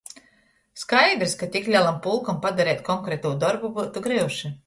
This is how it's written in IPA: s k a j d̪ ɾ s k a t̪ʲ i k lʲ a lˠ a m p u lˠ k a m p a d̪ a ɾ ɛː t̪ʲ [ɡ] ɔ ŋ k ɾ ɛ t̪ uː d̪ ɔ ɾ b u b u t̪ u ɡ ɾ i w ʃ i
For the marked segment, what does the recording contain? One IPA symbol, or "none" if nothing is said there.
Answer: k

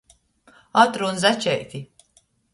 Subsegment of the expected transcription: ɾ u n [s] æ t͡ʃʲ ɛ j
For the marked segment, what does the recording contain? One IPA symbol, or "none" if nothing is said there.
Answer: z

